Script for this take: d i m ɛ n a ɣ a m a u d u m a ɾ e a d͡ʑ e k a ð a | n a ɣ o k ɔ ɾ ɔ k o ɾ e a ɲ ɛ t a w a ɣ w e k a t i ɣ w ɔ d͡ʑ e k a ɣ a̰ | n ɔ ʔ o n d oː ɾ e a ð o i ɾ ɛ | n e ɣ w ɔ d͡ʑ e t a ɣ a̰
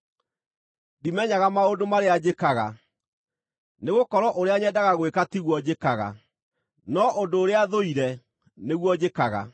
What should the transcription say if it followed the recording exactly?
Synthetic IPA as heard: d i m ɛ ɲ a ɣ a m a o d o m a ɾ e a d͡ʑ e k a ɣ a | n e ɣ o k ɔ ɾ ɔ ʔ o ɾ e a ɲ ɛ d a ɣ a ɣ w e k a t i ɣ w ɔ d͡ʑ e k a ɣ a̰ | n ɔ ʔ o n d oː ɾ e a ð o i ɾ ɛ | n e ɣ w ɔ d͡ʑ e k a ɣ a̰